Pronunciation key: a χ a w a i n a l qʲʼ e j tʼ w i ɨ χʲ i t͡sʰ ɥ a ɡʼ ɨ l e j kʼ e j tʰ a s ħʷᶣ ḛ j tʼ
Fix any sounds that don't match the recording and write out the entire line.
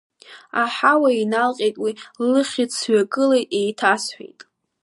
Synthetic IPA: a ħ a w a i n a l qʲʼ e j tʼ w i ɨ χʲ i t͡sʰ ɥ a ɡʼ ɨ l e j tʼ e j tʰ a s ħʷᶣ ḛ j tʼ

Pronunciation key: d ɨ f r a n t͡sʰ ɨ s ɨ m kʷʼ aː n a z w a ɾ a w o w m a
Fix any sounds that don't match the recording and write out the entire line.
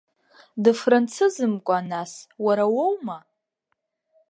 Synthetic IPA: d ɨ f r a n t͡sʰ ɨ z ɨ m kʷʼ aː n a s w a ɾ a w o w m a

